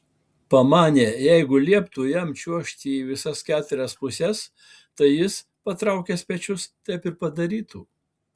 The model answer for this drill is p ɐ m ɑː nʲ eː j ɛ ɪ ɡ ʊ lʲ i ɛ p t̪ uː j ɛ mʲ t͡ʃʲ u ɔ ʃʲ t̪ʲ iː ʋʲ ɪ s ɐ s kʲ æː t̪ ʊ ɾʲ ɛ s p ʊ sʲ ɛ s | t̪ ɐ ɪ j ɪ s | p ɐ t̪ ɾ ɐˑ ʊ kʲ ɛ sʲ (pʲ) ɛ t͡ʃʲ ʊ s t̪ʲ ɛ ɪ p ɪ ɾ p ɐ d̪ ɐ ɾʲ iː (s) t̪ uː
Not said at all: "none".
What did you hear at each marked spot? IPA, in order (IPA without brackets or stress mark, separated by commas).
pʲ, none